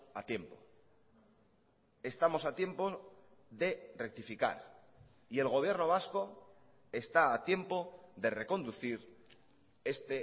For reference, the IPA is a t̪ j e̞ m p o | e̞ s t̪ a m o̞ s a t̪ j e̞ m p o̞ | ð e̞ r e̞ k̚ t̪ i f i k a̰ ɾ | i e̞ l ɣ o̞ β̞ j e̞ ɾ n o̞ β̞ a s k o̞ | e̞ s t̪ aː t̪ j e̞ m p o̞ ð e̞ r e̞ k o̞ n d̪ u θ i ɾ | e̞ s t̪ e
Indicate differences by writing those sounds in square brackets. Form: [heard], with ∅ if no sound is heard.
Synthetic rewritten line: a t̪ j e̞ m p o | e̞ s t̪ a m o̞ s a t̪ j e̞ m p o̞ | ð e̞ r e̞ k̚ t̪ i f i k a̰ ɾ | i e̞ l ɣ o̞ β̞ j e̞ ɾ n o̞ β̞ a s k o̞ | e̞ s t̪ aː t̪ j e̞ m p o̞ ð e̞ r e̞ k o̞ n d̪ u θ i ɾ | e̞ s t̪ e

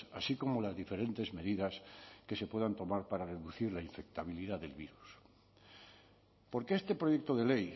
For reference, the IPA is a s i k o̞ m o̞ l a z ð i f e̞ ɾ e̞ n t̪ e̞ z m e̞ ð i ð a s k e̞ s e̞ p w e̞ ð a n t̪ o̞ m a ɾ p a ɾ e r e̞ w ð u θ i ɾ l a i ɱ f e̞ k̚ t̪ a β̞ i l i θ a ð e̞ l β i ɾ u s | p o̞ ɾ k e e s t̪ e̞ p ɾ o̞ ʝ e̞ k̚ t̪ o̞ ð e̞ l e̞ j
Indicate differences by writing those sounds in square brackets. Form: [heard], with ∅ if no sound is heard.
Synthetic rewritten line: a s i k o̞ m o̞ l a z ð i f e̞ ɾ e̞ n t̪ e̞ z m e̞ ð i ð a s k e̞ s e̞ p w e̞ ð a n t̪ o̞ m a ɾ p a ɾ [a] r e̞ [∅] ð u θ i ɾ l a i ɱ f e̞ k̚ t̪ a β̞ i l i [ð] a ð e̞ l β i ɾ u s | p o̞ ɾ k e e s t̪ e̞ p ɾ o̞ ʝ e̞ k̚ t̪ o̞ ð e̞ l e̞ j

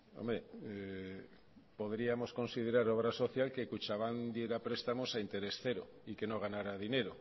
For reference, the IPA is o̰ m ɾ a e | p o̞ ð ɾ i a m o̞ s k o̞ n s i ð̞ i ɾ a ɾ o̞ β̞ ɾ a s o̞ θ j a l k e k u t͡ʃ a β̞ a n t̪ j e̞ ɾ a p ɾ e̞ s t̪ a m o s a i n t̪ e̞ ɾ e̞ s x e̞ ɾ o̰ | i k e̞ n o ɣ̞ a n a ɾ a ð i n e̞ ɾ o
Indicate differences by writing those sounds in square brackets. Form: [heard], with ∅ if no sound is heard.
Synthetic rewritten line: o̰ m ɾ [e] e | p o̞ ð ɾ i a m o̞ s k o̞ n s i ð̞ [e] ɾ a ɾ o̞ β̞ ɾ a s o̞ θ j a l k e k u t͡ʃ a β̞ a n [d̪] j e̞ ɾ a p ɾ e̞ s t̪ a m o s a i n t̪ e̞ ɾ e̞ s [θ] e̞ ɾ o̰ | i k e̞ n o ɣ̞ a n a ɾ a ð i n e̞ ɾ o

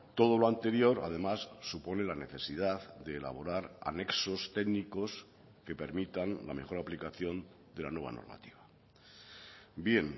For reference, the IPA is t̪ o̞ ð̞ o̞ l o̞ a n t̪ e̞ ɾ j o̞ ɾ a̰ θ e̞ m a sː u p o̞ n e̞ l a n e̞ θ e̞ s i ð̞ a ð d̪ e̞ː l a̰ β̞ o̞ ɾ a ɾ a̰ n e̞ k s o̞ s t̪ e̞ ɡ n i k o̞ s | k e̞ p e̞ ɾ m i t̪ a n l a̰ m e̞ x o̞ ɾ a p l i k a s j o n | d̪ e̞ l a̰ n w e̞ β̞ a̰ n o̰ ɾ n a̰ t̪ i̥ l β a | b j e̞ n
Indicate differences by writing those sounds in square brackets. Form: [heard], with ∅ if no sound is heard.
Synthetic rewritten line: t̪ o̞ ð̞ o̞ l o̞ a n t̪ e̞ ɾ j o̞ ɾ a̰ [ð] e̞ m a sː u p o̞ n e̞ l a n e̞ θ e̞ s i ð̞ a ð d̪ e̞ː l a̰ β̞ o̞ ɾ a ɾ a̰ n e̞ k s o̞ s t̪ e̞ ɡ n i k o̞ s | k e̞ p e̞ ɾ m i t̪ a n l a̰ m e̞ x o̞ ɾ a p l i k a [θ] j o n | d̪ e̞ l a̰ n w e̞ β̞ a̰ n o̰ ɾ [m] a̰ t̪ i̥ [∅] β a | b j e̞ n

